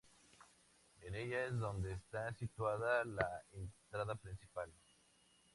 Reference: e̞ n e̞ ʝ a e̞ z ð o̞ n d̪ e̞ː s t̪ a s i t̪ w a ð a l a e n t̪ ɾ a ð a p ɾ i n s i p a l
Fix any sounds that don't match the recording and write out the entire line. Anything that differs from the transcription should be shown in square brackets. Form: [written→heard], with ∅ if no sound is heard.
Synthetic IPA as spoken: e̞ n e̞ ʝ a e̞ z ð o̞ n d̪ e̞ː s t̪ a s i t̪ w a ð a l a e n t̪ ɾ a ð a p ɾ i n s i p a l